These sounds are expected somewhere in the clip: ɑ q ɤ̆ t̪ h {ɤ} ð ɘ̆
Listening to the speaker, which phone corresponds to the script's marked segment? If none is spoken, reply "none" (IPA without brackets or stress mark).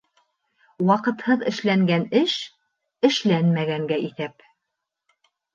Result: ɤ